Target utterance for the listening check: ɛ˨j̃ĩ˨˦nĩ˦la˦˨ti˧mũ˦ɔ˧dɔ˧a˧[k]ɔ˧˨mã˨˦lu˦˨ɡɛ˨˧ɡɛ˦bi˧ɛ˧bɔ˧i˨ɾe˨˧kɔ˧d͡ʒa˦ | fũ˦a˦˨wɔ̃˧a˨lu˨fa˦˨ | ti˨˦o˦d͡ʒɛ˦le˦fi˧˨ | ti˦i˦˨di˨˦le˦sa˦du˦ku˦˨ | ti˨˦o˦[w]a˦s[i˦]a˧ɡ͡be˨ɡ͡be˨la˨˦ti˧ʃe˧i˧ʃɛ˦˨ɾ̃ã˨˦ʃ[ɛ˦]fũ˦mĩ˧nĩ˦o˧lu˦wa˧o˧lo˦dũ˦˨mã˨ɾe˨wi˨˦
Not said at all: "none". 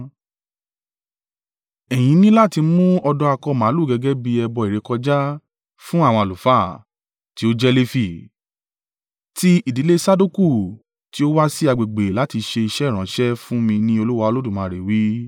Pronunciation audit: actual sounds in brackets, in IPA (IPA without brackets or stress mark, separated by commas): k, w, i˦, ɛ˦